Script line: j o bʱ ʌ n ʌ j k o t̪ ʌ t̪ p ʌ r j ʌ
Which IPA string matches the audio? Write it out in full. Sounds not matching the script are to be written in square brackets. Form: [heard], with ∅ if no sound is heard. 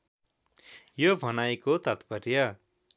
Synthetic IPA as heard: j o bʱ ʌ n [a] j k o t̪ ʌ t̪ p ʌ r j ʌ